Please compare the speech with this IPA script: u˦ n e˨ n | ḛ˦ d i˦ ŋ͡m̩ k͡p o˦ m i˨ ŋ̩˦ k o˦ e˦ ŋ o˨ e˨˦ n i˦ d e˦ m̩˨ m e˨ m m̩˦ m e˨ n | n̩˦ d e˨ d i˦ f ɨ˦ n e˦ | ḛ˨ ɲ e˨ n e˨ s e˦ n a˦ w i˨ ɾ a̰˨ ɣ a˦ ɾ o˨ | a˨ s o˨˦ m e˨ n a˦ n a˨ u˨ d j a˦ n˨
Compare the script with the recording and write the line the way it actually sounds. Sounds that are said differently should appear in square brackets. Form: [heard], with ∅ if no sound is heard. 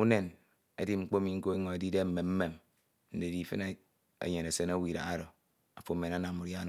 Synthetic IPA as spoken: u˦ n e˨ n | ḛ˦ d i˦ ŋ͡m̩ k͡p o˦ m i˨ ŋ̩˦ k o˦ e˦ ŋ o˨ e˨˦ [d] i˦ d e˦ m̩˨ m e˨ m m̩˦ m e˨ [m] | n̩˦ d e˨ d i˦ f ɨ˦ n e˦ | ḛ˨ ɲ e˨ n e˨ s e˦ n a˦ w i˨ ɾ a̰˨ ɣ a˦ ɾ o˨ | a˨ [f] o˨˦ m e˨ n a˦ n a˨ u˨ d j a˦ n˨